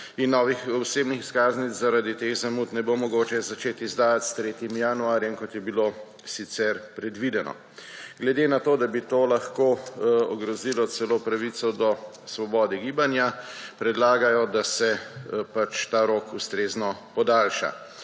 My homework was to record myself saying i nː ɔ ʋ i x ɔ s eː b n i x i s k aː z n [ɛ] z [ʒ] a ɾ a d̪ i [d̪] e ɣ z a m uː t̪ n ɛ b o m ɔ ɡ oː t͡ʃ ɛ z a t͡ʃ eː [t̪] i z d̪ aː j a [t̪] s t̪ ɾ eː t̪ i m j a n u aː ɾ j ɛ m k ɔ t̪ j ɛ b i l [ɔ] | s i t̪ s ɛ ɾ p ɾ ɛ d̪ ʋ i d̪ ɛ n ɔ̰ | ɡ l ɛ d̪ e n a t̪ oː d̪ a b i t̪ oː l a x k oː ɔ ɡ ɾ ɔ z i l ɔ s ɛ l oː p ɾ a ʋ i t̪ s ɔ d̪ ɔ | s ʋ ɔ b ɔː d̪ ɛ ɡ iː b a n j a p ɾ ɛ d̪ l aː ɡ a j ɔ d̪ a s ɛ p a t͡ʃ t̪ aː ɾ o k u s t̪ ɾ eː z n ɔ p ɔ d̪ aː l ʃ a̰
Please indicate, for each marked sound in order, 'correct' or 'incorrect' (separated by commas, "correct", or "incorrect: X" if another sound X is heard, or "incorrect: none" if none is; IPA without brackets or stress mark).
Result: incorrect: i, incorrect: z, incorrect: t̪, correct, correct, incorrect: o